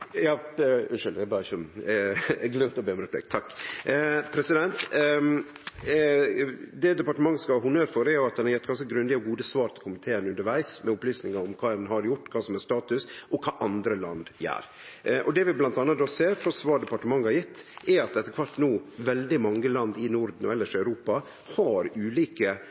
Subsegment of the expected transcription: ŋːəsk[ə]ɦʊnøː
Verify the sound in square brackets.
incorrect: ɑ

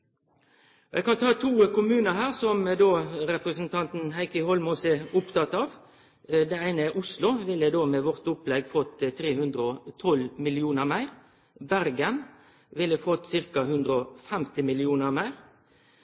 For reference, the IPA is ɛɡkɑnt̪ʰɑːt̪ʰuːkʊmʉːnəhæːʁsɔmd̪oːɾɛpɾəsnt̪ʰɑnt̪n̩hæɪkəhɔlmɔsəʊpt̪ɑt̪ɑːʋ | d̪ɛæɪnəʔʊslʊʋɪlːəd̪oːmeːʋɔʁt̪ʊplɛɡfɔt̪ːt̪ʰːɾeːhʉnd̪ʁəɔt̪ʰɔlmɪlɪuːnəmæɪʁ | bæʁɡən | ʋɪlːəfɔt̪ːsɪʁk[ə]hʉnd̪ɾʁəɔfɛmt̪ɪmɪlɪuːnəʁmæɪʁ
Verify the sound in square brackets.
incorrect: ɑ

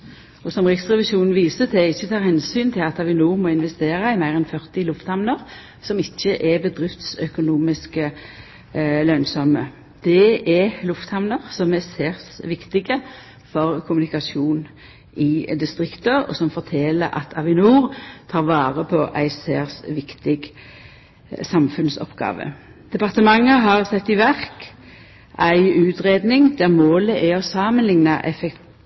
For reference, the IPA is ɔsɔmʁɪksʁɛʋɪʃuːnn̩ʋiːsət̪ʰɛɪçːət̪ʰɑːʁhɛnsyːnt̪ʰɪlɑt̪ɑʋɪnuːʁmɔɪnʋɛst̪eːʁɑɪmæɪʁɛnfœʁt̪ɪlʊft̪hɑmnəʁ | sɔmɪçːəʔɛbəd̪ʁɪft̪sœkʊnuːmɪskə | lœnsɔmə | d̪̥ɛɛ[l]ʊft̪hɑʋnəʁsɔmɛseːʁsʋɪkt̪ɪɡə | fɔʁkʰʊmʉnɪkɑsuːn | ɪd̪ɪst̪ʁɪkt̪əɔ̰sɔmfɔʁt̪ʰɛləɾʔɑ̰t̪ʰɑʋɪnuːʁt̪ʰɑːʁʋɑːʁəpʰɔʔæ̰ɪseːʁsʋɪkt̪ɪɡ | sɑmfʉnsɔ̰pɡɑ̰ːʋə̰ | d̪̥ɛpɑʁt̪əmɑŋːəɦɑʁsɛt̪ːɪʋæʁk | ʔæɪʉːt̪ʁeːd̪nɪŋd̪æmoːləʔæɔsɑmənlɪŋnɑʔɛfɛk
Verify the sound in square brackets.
correct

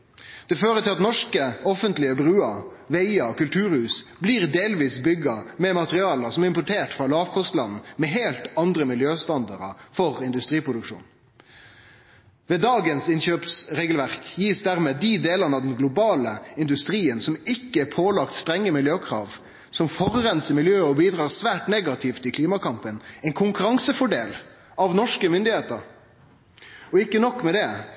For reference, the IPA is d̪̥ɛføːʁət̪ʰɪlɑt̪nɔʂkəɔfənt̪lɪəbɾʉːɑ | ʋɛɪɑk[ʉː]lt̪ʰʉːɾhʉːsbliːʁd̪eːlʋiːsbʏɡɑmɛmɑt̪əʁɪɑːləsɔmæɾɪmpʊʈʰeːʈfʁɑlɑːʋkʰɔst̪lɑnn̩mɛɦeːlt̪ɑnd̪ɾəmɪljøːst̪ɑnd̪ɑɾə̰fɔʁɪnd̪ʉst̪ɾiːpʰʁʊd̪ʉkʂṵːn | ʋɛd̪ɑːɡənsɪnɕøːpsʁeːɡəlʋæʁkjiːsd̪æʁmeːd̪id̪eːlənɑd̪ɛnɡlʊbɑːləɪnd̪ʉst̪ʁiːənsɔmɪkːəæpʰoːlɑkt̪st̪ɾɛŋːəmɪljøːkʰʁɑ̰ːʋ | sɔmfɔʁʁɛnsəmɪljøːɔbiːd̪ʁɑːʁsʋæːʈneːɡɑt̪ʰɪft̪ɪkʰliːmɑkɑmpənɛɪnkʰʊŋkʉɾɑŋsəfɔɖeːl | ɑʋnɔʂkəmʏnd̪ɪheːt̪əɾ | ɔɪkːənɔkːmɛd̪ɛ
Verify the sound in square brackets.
incorrect: ʉ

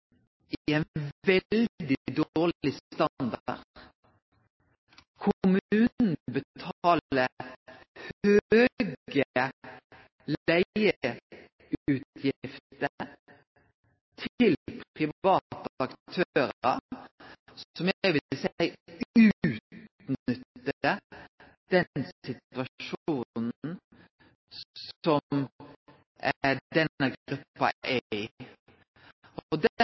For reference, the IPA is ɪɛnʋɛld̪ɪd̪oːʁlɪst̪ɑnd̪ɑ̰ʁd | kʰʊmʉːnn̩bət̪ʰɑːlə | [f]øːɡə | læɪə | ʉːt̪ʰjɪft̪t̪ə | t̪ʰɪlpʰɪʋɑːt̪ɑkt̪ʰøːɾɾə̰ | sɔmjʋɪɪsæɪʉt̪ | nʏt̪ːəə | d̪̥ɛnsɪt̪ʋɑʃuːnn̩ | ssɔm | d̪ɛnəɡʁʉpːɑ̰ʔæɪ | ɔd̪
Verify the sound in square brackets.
incorrect: h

